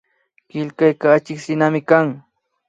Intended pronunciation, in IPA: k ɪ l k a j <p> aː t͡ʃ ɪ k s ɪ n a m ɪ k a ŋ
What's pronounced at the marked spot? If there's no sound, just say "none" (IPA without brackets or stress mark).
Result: k